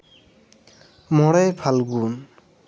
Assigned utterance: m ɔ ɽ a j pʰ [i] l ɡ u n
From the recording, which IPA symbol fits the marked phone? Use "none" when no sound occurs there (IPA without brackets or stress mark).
a